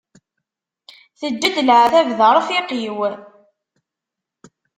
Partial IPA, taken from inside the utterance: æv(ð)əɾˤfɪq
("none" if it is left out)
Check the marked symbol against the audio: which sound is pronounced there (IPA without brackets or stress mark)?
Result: ð